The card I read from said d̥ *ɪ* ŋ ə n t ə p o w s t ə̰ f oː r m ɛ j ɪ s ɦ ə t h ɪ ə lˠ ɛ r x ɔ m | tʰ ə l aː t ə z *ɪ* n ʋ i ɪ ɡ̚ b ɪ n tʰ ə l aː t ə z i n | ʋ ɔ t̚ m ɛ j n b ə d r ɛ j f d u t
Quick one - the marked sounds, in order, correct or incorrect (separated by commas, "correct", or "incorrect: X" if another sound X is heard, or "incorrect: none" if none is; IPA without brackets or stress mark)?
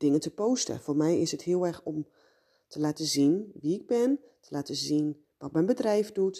correct, incorrect: i